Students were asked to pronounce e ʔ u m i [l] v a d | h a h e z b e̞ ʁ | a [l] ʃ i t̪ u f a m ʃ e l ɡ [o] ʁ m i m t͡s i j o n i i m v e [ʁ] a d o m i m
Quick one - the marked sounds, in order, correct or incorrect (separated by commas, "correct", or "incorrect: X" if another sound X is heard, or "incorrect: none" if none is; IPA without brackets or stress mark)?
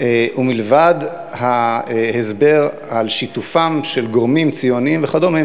correct, correct, correct, incorrect: χ